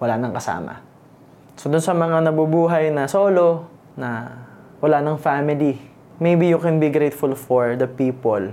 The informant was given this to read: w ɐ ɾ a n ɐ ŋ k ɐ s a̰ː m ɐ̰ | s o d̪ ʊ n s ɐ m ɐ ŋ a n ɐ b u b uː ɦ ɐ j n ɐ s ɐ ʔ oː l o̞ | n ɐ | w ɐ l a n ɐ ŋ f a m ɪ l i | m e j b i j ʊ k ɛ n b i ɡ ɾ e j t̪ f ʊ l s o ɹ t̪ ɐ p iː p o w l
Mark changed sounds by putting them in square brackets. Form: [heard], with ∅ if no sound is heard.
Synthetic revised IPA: w ɐ [l] a n ɐ ŋ k ɐ s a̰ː m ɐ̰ | s o d̪ ʊ n s ɐ m ɐ ŋ a n ɐ b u b uː ɦ ɐ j n ɐ s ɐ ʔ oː l o̞ | n ɐ | w ɐ l a n ɐ ŋ f a m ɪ l i | m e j b i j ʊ k ɛ n b i ɡ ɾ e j t̪ f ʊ l [f] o ɹ [d̪] ɐ p iː p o [∅] l